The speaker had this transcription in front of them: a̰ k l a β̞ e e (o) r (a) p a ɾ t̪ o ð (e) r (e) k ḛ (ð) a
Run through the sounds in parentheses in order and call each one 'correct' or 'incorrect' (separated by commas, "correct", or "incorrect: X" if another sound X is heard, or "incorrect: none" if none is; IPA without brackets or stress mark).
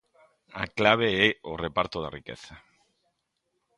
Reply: correct, incorrect: e, incorrect: a, incorrect: i, incorrect: θ